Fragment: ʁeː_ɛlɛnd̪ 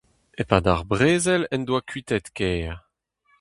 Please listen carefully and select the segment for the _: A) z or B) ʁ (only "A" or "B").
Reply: A